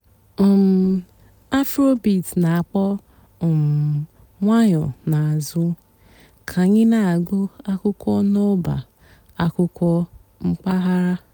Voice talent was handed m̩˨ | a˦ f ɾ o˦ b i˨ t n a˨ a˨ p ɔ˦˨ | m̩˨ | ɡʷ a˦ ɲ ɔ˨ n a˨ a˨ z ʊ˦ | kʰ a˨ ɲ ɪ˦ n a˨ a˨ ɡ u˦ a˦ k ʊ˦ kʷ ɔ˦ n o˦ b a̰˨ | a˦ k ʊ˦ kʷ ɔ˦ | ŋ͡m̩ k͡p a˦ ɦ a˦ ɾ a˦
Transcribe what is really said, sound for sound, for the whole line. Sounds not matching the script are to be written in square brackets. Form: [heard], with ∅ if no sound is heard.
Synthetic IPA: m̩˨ | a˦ f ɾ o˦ b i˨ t n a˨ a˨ [k͡p] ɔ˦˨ | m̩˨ | [ŋʷ] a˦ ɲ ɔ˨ n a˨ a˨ z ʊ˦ | kʰ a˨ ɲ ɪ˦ n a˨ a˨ ɡ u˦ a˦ k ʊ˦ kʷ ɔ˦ n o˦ b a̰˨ | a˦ k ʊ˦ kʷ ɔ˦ | ŋ͡m̩ k͡p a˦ ɦ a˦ ɾ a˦